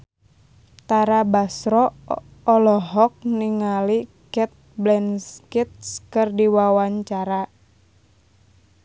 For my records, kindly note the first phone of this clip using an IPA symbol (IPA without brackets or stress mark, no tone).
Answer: t̪